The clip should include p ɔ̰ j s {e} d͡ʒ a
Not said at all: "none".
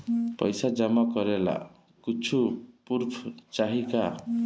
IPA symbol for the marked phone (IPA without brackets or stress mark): a